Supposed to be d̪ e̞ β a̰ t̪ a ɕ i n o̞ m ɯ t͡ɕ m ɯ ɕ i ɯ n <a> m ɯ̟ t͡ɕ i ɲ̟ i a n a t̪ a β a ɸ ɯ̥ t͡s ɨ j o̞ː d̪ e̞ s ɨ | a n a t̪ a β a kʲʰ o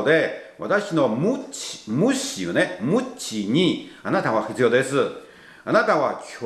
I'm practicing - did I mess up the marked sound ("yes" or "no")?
yes